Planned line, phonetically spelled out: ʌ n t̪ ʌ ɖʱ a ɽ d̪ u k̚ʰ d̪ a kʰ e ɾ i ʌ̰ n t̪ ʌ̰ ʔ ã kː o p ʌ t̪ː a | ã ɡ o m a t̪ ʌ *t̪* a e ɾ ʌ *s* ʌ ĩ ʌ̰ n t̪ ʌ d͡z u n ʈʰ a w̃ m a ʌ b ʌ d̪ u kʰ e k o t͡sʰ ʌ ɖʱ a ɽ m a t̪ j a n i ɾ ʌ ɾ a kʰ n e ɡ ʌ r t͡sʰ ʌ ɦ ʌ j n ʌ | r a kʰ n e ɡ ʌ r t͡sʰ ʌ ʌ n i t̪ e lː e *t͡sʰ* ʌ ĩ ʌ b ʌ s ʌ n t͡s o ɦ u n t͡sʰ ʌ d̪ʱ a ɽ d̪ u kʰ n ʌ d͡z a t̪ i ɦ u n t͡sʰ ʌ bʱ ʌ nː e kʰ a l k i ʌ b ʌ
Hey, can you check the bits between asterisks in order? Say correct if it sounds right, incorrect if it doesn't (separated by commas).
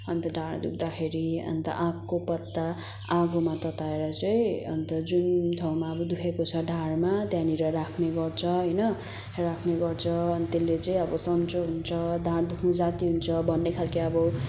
correct, incorrect, incorrect